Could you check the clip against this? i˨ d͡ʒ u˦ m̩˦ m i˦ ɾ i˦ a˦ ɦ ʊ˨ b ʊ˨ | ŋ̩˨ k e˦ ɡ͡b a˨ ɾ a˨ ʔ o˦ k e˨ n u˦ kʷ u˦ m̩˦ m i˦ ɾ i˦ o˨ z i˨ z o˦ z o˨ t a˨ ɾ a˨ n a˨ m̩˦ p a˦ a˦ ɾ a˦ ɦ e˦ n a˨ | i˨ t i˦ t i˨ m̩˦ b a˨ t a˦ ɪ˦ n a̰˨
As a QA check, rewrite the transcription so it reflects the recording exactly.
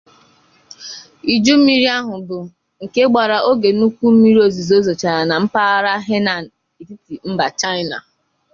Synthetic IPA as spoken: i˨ d͡ʒ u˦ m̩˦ m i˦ ɾ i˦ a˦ ɦ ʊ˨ b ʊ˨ | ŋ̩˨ k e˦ ɡ͡b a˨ ɾ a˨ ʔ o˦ ɡ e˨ n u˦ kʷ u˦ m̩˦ m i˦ ɾ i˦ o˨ z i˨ z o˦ z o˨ t͡ʃ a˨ ɾ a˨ n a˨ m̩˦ p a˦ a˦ ɾ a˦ ɦ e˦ n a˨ | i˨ t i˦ t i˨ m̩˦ b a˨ t͡ʃ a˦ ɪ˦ n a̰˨